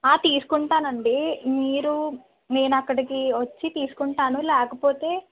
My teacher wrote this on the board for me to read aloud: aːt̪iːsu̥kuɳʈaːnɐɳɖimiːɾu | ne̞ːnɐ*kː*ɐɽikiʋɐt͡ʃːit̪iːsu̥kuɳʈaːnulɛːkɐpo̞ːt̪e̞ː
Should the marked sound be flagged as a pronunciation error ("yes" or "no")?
no